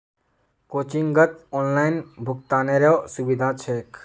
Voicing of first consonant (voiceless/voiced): voiceless